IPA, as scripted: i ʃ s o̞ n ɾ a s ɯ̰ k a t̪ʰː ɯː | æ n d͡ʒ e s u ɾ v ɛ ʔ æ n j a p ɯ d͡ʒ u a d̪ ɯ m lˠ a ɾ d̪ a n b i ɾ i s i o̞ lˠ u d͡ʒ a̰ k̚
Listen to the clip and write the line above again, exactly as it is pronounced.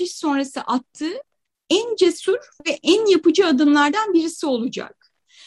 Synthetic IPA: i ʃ s o̞ n ɾ a s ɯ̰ ʔ a t̪ʰː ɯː | æ n d͡ʒ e s u ɾ v ɛ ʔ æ n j a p ɯ d͡ʒ ɯ a d̪ ɯ m lˠ a ɾ d̪ a n b i ɾ i s i o̞ lˠ u d͡ʒ a̰ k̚